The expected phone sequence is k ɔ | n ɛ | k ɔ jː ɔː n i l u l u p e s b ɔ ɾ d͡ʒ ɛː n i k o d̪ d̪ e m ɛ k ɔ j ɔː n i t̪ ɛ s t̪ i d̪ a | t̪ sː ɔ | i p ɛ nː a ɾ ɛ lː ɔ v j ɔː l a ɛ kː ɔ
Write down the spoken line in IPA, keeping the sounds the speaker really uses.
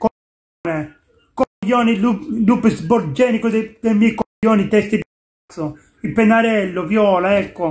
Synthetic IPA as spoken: k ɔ | n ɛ | k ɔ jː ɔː n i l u l u p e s b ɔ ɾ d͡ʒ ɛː n i k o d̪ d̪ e m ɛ k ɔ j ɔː n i t̪ ɛ s t̪ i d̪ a | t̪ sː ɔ | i p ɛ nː a ɾ ɛ lː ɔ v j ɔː l a ɛ kː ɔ